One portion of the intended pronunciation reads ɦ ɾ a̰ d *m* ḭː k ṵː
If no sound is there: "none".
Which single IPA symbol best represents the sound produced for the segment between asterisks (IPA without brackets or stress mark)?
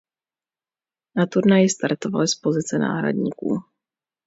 ɲ